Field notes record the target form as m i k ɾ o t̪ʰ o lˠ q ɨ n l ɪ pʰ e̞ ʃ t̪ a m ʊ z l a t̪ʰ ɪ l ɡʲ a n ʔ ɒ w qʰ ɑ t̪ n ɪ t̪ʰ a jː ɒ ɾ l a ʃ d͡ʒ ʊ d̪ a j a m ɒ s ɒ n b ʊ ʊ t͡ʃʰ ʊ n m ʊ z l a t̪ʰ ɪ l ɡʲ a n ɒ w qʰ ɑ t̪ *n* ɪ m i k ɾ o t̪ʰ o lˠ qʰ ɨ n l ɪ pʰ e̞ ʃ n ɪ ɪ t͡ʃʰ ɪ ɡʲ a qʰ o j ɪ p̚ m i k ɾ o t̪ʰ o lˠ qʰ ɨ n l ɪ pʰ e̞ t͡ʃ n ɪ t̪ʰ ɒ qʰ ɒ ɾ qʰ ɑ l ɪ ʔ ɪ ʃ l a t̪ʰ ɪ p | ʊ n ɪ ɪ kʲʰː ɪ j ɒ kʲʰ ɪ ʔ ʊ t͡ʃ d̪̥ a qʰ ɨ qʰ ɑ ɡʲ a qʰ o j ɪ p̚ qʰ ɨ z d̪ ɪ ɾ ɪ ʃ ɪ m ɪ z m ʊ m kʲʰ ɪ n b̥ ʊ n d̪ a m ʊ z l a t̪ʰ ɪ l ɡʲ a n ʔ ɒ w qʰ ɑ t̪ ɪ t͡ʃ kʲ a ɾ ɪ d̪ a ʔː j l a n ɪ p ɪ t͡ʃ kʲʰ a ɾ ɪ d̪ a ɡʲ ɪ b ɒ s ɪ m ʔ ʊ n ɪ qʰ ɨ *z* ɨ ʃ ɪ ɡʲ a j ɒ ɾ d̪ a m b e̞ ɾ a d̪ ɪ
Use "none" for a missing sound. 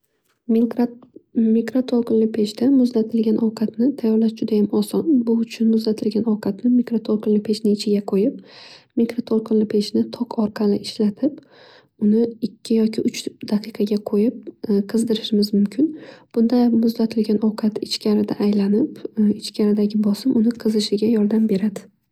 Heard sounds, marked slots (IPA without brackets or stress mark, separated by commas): n, z